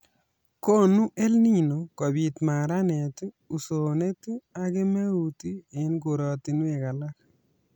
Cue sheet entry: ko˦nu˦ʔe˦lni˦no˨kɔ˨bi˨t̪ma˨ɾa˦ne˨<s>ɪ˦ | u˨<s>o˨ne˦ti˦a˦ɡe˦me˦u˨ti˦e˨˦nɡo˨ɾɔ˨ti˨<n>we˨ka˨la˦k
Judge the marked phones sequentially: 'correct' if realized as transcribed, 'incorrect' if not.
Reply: incorrect: t, correct, correct

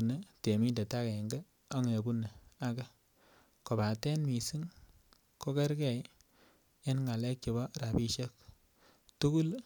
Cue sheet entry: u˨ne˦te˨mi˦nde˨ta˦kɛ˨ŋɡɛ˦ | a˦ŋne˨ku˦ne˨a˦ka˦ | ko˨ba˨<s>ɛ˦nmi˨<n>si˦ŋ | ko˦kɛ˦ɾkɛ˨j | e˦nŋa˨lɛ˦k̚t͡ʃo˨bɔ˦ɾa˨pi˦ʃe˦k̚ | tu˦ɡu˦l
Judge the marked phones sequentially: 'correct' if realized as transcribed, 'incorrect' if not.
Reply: incorrect: t, incorrect: none

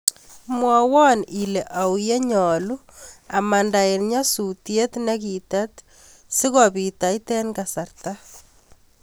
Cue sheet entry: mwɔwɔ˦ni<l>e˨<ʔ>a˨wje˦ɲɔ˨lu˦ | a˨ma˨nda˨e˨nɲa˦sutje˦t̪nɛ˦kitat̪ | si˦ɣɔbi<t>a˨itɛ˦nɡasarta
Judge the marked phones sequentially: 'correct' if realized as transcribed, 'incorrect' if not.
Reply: correct, correct, correct

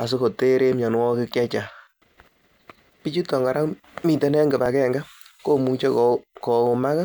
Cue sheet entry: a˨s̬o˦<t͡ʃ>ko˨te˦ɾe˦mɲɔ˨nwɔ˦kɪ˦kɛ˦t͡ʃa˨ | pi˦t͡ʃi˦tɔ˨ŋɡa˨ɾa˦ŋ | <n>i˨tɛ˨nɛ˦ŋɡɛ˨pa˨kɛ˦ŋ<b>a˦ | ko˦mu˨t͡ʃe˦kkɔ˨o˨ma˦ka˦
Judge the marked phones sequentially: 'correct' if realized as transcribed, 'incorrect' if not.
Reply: incorrect: none, incorrect: m, incorrect: ɡ

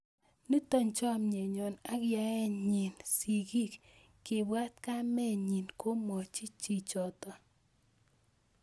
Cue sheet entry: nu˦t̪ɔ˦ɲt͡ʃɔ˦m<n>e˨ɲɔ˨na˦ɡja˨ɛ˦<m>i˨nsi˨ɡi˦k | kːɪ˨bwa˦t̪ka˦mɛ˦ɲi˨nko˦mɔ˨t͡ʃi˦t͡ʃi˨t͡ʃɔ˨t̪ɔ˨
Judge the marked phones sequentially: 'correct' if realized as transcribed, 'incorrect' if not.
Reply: incorrect: ɲ, incorrect: ɲ

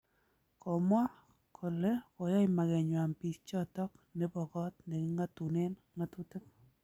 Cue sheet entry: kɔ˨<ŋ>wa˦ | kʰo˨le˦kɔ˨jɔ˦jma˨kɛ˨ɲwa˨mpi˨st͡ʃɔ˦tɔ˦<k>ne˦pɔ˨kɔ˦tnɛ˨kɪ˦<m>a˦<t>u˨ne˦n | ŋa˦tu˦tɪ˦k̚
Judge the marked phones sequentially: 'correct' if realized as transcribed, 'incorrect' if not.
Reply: incorrect: m, correct, incorrect: ŋ, correct

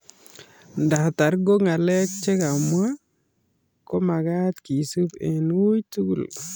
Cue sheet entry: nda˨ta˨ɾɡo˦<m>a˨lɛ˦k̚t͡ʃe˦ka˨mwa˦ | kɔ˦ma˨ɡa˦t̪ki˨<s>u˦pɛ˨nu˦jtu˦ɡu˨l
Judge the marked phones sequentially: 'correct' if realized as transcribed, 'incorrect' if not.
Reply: incorrect: ŋ, correct

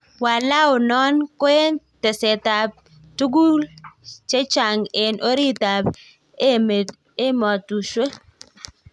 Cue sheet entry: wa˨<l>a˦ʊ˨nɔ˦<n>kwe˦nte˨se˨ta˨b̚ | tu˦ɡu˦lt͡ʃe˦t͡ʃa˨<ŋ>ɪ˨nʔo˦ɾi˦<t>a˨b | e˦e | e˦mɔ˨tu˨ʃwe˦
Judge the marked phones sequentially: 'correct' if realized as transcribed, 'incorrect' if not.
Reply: correct, correct, correct, correct

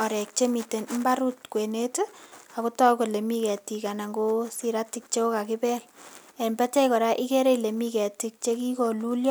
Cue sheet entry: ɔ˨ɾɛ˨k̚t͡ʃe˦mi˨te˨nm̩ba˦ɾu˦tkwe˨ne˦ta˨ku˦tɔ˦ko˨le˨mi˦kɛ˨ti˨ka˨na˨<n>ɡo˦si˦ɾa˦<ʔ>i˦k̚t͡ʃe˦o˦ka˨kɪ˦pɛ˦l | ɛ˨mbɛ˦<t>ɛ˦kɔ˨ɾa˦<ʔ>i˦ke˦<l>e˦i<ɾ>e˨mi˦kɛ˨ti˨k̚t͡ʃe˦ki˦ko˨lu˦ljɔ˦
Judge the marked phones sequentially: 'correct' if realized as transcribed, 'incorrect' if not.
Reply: incorrect: ŋ, incorrect: t, correct, correct, incorrect: ɾ, incorrect: l

